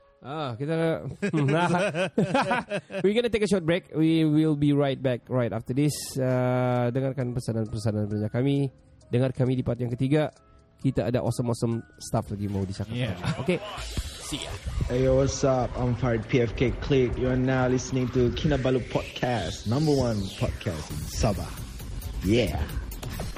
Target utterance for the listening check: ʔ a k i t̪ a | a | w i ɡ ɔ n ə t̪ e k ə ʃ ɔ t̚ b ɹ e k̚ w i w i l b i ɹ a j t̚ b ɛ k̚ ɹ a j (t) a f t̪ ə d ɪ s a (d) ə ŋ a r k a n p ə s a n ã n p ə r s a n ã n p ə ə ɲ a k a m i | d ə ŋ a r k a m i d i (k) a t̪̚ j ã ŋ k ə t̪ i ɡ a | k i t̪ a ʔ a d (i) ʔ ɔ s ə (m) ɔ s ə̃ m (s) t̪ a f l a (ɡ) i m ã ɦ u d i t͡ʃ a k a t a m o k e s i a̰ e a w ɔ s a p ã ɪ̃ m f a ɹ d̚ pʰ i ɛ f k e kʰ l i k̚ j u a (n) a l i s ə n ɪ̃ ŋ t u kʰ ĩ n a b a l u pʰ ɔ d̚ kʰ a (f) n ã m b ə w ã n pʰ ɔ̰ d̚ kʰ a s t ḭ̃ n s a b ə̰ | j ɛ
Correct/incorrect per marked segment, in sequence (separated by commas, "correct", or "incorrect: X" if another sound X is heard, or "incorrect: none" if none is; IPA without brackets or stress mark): correct, correct, incorrect: p, incorrect: a, correct, correct, correct, correct, incorrect: s